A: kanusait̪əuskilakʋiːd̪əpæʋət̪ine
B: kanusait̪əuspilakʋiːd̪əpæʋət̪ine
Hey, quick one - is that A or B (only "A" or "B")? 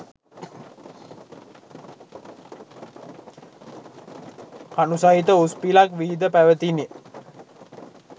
B